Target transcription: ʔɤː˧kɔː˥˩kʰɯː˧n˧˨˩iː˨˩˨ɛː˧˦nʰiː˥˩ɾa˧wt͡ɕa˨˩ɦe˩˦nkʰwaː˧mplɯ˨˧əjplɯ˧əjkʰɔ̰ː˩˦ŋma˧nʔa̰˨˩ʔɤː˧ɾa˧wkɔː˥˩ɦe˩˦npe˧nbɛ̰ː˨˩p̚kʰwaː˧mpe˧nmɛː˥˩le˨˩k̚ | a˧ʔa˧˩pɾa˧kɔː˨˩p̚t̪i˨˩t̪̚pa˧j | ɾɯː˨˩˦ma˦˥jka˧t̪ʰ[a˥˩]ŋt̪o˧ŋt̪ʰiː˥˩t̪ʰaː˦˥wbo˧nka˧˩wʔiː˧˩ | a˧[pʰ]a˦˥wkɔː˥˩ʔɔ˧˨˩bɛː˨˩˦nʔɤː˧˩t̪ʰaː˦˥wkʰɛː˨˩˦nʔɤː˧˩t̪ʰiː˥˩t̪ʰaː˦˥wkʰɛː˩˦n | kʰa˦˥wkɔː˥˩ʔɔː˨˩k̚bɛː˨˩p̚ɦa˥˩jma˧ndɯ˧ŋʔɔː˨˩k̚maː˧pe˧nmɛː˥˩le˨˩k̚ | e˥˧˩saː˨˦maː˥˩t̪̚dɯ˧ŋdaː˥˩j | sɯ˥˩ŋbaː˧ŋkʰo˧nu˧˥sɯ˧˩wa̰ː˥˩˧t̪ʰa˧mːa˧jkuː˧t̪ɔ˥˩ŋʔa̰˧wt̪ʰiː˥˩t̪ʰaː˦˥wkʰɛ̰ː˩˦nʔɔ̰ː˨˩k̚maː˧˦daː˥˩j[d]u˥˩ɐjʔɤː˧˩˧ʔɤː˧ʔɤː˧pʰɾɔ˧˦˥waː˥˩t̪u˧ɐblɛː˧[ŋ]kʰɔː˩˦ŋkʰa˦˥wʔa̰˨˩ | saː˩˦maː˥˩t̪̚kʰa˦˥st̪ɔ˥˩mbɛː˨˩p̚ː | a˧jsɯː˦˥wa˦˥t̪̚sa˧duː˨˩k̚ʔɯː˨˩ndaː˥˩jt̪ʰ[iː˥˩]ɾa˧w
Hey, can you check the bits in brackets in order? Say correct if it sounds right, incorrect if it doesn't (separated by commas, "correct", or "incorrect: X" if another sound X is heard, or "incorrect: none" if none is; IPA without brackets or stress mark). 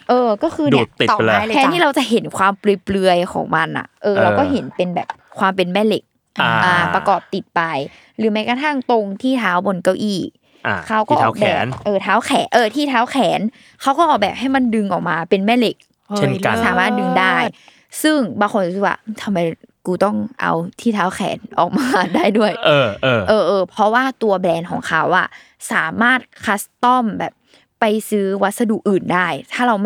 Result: correct, incorrect: kʰ, correct, incorrect: n, incorrect: aː˥˩